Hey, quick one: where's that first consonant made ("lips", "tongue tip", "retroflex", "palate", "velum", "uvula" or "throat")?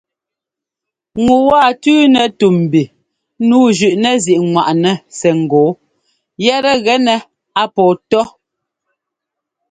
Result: velum